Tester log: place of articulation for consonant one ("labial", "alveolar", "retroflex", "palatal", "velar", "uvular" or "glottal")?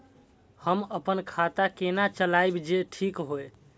glottal